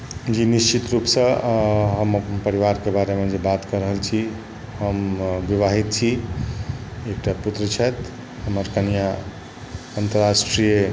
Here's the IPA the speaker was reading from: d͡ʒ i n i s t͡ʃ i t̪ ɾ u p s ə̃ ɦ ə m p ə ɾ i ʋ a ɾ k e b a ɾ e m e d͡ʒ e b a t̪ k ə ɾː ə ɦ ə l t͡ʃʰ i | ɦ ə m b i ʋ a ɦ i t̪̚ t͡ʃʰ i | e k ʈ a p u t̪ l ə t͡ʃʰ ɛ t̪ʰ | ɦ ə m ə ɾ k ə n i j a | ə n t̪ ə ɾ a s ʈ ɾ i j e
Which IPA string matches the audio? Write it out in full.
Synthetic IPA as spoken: d͡ʒ i n i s t͡ʃ i t̪ ɾ u p s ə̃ ɦ ə m p ə ɾ i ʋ a ɾ k e b a ɾ e m e d͡ʒ e b a t̪ k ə ɾ ə ɦ ə l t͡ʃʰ i | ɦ ə m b i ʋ a ɦ i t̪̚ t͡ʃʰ i | e k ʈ a p u t̪ ɾ ə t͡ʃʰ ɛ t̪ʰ | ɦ ə m ə ɾ k ə n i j a | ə n t̪ ə ɾ a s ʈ ɾ i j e

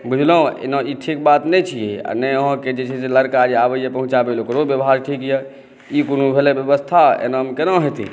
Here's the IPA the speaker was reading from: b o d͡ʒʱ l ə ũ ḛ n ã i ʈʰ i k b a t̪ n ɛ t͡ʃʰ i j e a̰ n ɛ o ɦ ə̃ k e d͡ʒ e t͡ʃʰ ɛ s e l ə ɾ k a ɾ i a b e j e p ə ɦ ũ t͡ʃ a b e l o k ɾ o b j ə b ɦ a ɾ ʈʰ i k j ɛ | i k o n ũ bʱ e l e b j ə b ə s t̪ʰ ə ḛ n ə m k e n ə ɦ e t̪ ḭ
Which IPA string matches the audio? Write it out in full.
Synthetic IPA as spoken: b u d͡ʒʱ l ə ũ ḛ n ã i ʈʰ i k b a t̪ n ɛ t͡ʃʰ i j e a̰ n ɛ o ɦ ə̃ k e d͡ʒ e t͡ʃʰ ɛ s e l ə ɾ k a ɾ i a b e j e p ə ɦ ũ t͡ʃ a b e l o k ɾ o b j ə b ɦ a ɾ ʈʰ i k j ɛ | i k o n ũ bʱ e l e b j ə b ə s t̪ʰ a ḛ n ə m k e n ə ɦ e t̪ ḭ

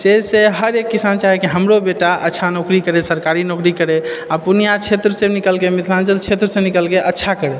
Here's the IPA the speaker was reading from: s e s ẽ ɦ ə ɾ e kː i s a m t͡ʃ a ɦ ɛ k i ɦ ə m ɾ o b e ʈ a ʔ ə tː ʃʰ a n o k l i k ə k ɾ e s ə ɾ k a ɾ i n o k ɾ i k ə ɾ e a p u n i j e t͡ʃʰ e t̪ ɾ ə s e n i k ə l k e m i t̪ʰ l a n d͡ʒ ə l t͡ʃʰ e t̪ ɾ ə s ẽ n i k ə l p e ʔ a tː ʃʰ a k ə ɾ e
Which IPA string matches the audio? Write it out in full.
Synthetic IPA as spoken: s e s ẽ ɦ ə ɾ e kː i s a n t͡ʃ a ɦ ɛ k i ɦ ə m ɾ o b e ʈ a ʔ ə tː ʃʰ a n o k ɾ i k ə ɾ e s ə ɾ k a ɾ i n o k ɾ i k ə ɾ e a p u n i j a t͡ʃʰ e t̪ ɾ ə s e n i k ə l k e m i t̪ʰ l a n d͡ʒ ə l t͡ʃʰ e t̪ ɾ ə s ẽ n i k ə l k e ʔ ə tː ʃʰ a k ə ɾ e

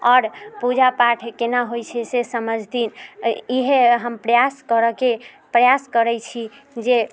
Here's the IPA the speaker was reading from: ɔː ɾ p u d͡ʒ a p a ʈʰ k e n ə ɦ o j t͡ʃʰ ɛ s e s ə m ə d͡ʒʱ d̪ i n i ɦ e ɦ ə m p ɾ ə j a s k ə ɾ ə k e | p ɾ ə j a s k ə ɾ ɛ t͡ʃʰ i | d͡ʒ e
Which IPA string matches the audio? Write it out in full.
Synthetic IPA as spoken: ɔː ɾ p u d͡ʒ a p a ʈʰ k e n a ɦ o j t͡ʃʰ ɛ s e s ə m ə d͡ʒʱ d̪ i n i ɦ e ɦ ə m p ɾ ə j a s k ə ɾ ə k e | p ɾ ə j a s k ə ɾ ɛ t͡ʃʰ i | d͡ʒ e

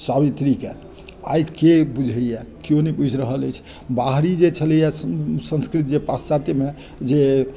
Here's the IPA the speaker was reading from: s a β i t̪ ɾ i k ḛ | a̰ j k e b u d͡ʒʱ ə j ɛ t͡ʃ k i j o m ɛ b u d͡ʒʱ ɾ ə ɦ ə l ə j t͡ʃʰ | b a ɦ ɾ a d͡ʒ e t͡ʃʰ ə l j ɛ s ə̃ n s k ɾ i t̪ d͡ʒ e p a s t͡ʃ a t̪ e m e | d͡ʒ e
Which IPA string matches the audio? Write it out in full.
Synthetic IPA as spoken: s a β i t̪ ɾ i k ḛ | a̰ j k e b u d͡ʒʱ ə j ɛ k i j o n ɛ b u d͡ʒʱ ɾ ə ɦ ə l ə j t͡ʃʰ | b a ɦ ɾ i d͡ʒ e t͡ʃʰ ə l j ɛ s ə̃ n s k ɾ i t̪ d͡ʒ e p a s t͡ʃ a t̪ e m e | d͡ʒ e

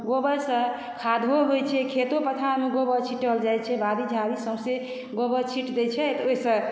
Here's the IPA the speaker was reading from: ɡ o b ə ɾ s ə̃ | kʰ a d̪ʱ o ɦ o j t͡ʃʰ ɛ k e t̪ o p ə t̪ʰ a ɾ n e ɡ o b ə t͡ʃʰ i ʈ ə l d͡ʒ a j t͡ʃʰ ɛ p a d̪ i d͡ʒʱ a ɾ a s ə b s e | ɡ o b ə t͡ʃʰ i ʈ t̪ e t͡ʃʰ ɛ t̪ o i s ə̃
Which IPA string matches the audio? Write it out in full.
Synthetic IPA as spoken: ɡ o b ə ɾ s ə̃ | kʰ a d̪ʱ o ɦ o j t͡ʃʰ ɛ kʰ e t̪ o p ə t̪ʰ a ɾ m e ɡ o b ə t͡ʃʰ i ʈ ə l d͡ʒ a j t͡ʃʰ ɛ b a d̪ i d͡ʒʱ a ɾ i s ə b s e | ɡ o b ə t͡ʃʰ i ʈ d̪ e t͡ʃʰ ɛ t̪ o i s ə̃

